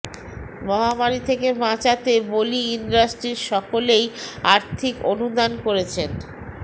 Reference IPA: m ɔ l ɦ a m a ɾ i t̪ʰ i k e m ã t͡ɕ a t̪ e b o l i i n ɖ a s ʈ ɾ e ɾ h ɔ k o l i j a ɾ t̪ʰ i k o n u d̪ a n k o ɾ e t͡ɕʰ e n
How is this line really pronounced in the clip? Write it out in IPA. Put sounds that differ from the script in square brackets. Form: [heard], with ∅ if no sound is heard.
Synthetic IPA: m ɔ [∅] ɦ a m a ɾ i t̪ʰ [e] k e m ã t͡ɕ a t̪ e b o l i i n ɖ a s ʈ ɾ [i] ɾ [ʃ] ɔ k o l [e] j a ɾ t̪ʰ i k o n u d̪ a n k o ɾ e t͡ɕʰ e n